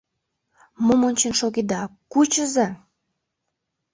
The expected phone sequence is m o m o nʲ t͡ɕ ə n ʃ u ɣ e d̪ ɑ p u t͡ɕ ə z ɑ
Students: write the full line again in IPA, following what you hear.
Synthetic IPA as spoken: m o m o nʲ t͡ɕ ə n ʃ o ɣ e d̪ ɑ k u t͡ɕ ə z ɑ